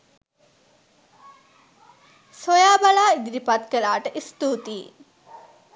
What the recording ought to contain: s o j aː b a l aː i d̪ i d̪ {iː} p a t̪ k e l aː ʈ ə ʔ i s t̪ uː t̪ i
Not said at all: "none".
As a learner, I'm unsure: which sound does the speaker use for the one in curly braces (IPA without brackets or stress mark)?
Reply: i